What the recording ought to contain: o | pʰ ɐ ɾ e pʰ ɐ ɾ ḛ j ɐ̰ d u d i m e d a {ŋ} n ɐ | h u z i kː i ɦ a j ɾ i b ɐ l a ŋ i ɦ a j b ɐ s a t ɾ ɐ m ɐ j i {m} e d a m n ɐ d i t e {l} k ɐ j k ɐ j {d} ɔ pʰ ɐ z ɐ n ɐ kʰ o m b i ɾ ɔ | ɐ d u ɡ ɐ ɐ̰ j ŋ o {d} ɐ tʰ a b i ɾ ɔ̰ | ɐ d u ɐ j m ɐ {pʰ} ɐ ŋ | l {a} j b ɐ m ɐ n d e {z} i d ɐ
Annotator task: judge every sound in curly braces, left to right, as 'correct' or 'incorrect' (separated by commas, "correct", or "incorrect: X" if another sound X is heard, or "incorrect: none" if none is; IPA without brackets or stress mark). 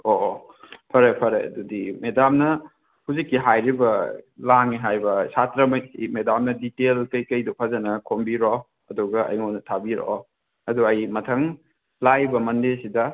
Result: incorrect: m, correct, correct, correct, incorrect: n, incorrect: tʰ, correct, incorrect: s